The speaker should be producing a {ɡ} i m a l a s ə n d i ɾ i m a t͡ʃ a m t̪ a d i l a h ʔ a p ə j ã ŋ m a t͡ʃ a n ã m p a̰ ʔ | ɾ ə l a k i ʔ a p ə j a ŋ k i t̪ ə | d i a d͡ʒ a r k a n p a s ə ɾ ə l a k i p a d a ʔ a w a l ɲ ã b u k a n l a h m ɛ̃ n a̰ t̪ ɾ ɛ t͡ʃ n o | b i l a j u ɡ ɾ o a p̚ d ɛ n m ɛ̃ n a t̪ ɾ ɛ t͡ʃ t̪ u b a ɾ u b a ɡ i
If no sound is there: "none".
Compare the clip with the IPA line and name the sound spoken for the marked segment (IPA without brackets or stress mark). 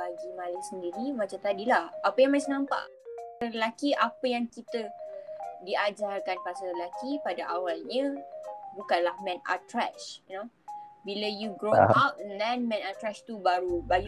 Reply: ɡ